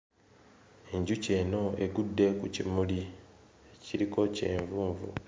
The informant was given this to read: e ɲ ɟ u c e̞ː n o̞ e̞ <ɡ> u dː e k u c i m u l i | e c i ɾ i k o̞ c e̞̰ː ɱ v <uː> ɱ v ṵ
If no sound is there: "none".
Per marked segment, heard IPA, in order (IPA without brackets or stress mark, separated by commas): ɡ, uː